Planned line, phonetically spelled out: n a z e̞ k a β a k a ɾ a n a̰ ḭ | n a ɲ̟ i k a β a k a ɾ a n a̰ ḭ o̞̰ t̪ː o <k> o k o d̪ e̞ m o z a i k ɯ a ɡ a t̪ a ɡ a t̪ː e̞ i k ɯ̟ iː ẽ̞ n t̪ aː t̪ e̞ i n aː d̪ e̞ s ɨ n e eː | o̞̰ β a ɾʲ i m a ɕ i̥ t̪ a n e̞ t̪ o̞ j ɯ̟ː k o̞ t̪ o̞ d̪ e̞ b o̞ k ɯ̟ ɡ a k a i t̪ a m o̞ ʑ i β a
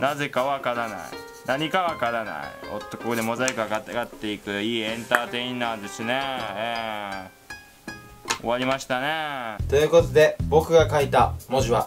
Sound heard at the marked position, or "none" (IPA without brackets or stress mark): k